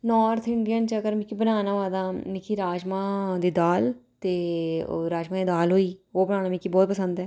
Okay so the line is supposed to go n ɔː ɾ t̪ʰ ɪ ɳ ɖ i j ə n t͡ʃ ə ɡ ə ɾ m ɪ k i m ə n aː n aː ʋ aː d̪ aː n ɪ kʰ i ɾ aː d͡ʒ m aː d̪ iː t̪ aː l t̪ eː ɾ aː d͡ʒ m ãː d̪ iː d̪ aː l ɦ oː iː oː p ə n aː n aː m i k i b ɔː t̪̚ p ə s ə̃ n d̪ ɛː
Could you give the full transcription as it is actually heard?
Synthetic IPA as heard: n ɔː ɾ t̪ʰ ɪ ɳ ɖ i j ə n t͡ʃ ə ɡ ə ɾ m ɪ k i b ə n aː n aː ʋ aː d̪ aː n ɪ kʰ i ɾ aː d͡ʒ m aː d̪ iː d̪ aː l t̪ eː ɾ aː d͡ʒ m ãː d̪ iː d̪ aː l ɦ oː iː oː b ə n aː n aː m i k i b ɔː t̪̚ p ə s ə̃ n d̪ ɛː